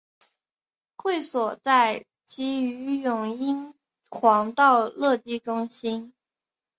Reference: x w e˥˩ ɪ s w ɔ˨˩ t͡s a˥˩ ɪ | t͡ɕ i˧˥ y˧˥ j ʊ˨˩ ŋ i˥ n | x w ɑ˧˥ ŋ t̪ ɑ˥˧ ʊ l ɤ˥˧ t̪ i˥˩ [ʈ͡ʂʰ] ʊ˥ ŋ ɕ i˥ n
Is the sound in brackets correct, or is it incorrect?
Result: incorrect